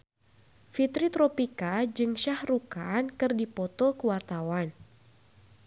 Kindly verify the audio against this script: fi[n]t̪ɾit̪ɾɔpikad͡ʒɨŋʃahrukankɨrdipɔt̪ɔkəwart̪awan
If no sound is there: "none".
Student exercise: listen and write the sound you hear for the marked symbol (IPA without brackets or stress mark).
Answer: none